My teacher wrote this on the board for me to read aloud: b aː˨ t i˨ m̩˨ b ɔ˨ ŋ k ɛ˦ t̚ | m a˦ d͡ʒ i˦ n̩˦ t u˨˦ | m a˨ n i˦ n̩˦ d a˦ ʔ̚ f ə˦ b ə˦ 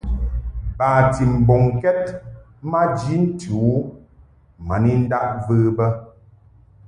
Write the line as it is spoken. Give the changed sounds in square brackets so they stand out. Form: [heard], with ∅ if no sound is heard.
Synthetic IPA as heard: b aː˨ t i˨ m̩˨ b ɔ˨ ŋ k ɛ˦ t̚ | m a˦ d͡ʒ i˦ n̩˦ t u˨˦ | m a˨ n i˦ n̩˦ d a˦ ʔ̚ [v] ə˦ b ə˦